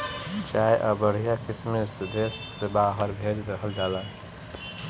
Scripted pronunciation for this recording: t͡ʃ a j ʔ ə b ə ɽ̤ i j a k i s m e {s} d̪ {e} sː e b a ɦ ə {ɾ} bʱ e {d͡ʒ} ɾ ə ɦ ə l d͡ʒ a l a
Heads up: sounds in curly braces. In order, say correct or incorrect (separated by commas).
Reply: correct, correct, correct, correct